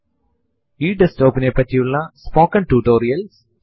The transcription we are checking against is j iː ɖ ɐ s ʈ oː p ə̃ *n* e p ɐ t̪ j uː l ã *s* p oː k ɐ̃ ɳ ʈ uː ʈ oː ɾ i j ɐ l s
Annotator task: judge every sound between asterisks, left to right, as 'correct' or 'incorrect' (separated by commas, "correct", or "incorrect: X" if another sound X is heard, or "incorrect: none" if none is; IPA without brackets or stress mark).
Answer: correct, correct